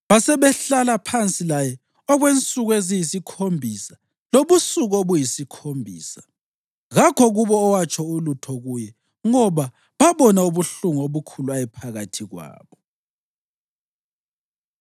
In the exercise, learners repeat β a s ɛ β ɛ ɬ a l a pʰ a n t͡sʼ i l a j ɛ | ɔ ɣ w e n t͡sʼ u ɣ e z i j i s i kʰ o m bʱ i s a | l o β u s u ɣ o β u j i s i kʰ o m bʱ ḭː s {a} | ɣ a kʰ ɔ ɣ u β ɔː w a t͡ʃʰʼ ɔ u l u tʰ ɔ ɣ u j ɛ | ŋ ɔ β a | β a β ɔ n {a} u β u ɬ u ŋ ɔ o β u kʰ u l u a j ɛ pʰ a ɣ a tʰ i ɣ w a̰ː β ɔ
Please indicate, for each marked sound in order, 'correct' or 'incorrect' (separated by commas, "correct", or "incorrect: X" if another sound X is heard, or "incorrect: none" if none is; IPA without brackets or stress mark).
correct, correct